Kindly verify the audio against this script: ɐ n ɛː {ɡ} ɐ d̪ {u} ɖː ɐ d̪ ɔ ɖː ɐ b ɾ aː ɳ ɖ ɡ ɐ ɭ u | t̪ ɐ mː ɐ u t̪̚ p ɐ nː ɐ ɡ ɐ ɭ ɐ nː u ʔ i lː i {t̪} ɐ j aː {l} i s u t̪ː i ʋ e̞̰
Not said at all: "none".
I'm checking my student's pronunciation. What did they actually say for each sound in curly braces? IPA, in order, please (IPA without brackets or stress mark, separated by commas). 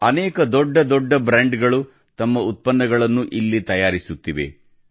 k, ɔ, t̪, ɾ